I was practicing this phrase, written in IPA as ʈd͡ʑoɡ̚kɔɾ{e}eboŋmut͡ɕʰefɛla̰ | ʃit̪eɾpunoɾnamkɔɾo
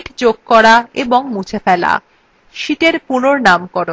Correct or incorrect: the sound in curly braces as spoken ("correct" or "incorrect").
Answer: incorrect